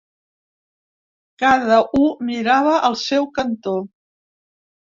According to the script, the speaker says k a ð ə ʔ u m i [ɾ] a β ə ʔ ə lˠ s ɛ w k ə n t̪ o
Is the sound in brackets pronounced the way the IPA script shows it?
yes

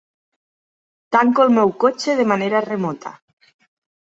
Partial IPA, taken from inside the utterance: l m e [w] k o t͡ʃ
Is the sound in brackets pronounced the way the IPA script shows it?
yes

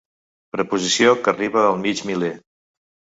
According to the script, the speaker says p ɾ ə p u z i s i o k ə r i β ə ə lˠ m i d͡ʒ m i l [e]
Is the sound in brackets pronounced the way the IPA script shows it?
yes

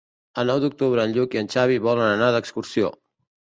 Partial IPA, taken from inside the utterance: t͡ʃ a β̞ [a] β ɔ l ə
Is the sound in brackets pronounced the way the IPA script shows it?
no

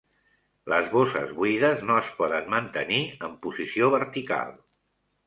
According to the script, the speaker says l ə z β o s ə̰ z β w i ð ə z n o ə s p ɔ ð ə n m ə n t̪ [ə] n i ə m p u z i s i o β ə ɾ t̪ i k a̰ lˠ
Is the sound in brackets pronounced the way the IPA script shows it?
yes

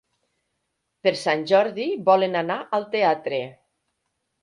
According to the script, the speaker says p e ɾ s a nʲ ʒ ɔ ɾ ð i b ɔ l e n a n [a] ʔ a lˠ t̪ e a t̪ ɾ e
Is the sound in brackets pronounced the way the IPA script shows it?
yes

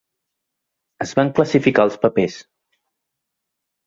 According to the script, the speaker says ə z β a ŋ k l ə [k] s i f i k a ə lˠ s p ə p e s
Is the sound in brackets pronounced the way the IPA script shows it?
no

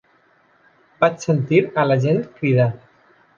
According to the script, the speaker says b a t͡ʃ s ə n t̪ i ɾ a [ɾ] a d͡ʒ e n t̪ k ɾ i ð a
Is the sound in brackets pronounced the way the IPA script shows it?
no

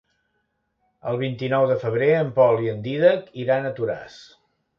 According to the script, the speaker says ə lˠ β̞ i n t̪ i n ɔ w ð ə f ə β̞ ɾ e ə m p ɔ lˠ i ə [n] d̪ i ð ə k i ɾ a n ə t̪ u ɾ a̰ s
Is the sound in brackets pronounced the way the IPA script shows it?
yes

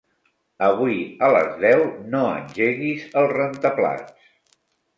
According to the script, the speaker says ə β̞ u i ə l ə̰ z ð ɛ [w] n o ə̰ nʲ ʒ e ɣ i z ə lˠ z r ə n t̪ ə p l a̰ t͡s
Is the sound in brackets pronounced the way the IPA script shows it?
yes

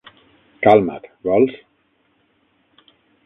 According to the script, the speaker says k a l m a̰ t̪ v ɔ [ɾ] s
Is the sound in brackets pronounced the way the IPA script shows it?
no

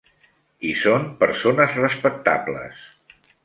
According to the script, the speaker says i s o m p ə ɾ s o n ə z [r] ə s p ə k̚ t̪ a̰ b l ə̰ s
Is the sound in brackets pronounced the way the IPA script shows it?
yes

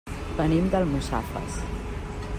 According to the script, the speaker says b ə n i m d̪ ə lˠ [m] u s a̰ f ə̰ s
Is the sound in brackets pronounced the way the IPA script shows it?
yes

